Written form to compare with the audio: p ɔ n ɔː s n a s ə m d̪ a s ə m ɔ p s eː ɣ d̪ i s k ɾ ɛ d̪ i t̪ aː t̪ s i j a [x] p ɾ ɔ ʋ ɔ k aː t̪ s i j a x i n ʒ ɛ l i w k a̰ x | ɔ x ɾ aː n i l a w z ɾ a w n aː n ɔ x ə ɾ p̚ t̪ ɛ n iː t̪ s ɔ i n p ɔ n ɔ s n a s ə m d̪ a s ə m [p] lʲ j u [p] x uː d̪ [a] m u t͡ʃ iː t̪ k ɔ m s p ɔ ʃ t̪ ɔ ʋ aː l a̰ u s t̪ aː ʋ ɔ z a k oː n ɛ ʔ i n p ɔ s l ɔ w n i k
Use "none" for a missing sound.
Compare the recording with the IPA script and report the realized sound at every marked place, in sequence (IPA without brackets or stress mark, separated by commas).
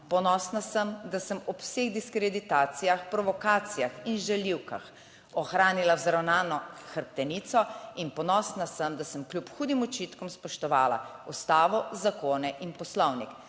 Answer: x, k, p, i